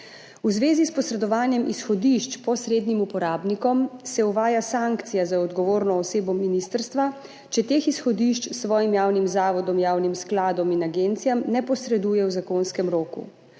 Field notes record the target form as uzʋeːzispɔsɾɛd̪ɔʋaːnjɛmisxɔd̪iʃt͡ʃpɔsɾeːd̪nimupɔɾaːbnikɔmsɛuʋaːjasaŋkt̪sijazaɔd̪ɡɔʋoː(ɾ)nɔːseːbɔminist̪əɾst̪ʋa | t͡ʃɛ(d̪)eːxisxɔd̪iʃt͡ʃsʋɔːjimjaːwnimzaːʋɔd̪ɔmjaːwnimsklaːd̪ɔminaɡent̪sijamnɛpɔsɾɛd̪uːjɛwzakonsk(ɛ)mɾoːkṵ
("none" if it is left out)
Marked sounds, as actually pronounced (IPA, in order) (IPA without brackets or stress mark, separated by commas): ɾ, t̪, ɛ